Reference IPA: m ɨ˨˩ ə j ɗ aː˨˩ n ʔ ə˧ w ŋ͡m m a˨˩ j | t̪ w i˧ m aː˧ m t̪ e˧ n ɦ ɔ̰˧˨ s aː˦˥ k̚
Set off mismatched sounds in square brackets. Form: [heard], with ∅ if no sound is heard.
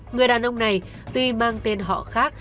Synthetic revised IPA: [ŋ] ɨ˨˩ ə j ɗ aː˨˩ n ʔ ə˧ w ŋ͡m [n] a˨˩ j | t̪ w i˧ m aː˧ [ŋ] t̪ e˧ n ɦ ɔ̰˧˨ [x] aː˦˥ k̚